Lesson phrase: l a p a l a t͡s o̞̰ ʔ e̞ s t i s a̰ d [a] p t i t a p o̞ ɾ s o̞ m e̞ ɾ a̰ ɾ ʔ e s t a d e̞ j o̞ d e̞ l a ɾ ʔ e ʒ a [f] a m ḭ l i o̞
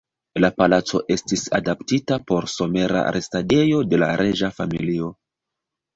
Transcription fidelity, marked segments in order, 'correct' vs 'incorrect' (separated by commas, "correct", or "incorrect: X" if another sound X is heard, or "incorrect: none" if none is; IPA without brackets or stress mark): correct, correct